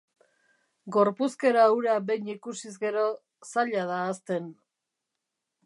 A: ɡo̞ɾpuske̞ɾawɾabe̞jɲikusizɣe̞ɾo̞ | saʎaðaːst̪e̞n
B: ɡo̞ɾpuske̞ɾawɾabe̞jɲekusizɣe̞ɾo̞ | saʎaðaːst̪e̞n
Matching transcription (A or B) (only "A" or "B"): A